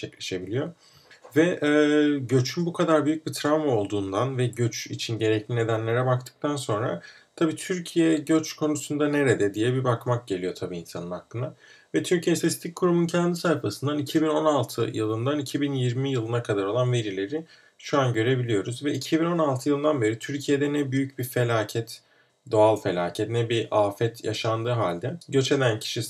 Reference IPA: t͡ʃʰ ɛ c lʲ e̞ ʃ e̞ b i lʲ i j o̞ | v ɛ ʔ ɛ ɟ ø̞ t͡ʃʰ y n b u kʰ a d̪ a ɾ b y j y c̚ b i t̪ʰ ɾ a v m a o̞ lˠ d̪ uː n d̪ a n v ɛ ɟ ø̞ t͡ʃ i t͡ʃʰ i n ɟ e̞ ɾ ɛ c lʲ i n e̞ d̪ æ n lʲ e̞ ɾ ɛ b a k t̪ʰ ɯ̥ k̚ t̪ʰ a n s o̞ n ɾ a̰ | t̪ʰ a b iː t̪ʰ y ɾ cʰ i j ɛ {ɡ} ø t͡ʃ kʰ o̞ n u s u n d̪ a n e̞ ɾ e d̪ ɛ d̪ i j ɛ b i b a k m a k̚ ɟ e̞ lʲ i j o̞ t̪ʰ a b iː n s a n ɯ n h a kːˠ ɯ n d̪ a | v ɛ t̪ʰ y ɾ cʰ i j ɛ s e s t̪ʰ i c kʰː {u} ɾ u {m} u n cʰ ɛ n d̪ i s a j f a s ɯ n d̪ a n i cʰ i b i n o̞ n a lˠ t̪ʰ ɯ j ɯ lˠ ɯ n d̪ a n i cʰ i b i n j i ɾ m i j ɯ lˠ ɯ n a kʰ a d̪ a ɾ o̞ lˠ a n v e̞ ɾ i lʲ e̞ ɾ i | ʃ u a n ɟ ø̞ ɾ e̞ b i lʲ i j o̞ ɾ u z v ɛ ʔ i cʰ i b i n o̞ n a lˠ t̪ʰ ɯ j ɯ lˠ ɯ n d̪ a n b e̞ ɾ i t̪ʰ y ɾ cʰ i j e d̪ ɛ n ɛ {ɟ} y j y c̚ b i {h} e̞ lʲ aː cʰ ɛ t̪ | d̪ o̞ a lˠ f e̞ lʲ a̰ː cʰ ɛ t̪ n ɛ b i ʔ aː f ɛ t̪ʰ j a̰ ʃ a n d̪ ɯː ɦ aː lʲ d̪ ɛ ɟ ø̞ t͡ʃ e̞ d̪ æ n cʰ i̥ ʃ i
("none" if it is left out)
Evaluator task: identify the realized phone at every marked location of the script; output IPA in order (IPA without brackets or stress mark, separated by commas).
ɟ, u, m, b, f